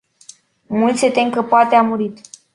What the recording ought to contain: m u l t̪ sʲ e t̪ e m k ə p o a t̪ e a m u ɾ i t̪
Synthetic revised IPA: m u l t̪ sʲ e t̪ e ŋ k ə p o a t̪ e a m u ɾ i t̪